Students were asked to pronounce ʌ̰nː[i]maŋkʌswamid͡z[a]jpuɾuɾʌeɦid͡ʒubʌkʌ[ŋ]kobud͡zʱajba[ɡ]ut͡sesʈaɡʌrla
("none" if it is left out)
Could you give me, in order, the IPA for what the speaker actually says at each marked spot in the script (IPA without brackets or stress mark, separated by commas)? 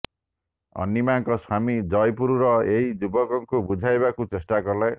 i, ʌ, ŋ, k